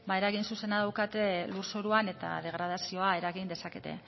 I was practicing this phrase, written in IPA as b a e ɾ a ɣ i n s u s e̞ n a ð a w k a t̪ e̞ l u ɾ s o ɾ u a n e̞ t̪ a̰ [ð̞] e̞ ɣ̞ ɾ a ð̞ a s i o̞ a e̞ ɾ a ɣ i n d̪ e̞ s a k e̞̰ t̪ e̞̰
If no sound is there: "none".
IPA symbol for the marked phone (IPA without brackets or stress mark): ð̞